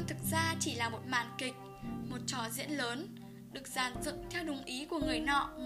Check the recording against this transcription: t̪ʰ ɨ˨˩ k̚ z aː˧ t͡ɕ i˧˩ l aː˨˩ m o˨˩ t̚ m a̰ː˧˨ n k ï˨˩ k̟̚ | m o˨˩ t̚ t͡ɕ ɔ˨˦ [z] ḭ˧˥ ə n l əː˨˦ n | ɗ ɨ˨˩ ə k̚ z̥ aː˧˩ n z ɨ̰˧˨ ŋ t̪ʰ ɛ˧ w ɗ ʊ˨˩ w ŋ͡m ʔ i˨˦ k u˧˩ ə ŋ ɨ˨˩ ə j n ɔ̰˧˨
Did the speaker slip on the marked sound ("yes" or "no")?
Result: no